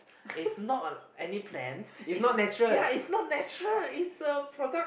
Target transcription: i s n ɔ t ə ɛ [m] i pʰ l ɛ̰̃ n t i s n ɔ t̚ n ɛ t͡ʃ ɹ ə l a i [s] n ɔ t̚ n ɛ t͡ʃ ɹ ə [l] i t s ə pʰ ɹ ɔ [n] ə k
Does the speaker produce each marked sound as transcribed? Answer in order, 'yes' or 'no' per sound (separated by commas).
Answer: no, yes, yes, no